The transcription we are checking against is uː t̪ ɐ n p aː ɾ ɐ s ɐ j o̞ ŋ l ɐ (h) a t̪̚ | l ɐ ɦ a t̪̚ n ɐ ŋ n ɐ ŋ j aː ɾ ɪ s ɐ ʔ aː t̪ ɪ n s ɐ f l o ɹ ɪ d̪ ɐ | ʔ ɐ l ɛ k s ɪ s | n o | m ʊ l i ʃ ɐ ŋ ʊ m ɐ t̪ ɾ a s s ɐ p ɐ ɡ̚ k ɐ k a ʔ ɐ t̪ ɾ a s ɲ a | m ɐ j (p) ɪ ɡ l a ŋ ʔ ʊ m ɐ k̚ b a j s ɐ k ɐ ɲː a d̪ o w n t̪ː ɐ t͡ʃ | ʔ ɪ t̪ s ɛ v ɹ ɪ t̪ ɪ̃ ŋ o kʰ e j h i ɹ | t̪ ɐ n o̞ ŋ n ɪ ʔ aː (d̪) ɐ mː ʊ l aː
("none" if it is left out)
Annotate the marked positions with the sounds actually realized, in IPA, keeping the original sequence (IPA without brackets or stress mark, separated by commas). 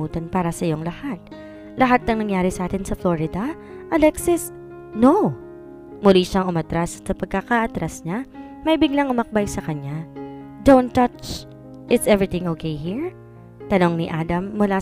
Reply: h, b, d̪